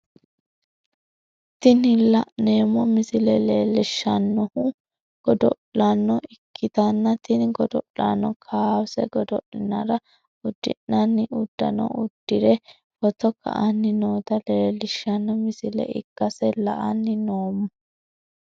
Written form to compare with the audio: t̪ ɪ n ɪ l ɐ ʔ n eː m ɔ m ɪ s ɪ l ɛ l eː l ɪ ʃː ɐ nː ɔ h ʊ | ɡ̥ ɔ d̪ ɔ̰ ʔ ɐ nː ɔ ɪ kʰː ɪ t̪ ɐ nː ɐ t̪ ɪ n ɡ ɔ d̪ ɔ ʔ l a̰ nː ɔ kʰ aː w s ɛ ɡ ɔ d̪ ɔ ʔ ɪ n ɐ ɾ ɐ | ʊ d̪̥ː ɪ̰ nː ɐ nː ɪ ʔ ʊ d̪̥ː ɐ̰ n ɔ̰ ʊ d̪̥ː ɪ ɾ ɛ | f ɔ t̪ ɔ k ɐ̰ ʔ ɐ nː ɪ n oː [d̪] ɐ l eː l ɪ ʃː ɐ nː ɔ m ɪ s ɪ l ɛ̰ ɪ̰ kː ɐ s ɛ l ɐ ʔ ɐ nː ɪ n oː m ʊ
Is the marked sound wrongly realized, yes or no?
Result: yes